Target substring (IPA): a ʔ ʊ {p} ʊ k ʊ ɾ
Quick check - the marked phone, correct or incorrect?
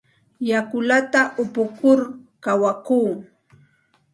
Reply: correct